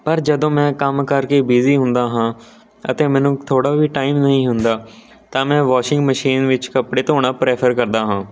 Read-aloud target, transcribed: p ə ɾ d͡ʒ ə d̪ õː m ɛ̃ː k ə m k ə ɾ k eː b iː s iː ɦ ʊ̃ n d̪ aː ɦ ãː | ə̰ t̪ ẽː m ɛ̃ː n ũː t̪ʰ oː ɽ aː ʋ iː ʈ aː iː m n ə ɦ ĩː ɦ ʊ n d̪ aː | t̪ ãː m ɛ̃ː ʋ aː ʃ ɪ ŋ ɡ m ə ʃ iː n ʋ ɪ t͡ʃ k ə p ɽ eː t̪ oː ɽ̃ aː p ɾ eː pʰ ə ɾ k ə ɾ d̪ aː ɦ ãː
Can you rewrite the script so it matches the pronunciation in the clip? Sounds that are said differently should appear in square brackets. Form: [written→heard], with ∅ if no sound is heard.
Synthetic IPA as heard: p ə ɾ d͡ʒ ə d̪ õː m ɛ̃ː k ə m k ə ɾ k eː b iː [s→z] iː ɦ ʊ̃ n d̪ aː ɦ ãː | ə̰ t̪ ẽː m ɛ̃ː n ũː t̪ʰ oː ɽ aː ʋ iː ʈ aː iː m n ə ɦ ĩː ɦ ʊ n d̪ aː | t̪ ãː m ɛ̃ː ʋ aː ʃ ɪ ŋ ɡ m ə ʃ iː n ʋ ɪ t͡ʃ k ə p ɽ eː t̪ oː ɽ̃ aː p ɾ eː pʰ ə ɾ k ə ɾ d̪ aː ɦ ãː